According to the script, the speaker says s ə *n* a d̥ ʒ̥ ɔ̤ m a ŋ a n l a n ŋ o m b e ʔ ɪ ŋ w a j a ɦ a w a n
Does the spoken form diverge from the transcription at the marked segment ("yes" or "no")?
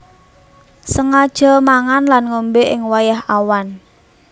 yes